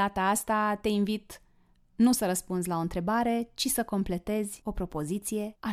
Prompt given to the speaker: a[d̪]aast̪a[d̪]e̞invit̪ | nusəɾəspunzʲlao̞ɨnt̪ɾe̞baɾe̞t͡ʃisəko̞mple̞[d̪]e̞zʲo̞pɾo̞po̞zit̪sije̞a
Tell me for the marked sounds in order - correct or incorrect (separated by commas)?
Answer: incorrect, incorrect, incorrect